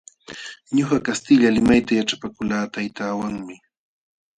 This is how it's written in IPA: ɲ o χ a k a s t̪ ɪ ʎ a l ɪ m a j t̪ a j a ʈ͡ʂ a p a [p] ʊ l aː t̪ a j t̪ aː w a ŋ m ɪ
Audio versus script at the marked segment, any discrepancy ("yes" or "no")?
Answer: yes